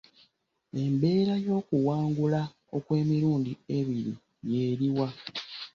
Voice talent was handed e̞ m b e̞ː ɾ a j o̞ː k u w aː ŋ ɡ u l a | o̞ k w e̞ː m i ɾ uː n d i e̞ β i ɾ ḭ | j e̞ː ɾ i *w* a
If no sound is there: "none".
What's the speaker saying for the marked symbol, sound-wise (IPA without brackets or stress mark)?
w